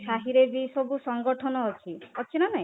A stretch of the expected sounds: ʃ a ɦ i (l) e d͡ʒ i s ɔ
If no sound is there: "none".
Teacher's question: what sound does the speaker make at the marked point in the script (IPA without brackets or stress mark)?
ɾ